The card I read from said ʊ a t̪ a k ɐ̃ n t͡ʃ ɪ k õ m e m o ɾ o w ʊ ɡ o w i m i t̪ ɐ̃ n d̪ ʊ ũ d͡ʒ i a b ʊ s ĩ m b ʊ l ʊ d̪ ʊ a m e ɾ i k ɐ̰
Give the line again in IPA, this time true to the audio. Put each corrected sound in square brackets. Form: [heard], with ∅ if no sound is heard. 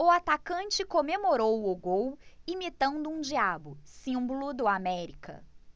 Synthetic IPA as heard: ʊ a t̪ a k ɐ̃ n t͡ʃ ɪ k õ m e m o ɾ o w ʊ ɡ o w i m i t̪ ɐ̃ n d̪ ʊ ũ d͡ʒ i a b ʊ s ĩ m b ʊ l ʊ d̪ ʊ a m [ɛ] ɾ i k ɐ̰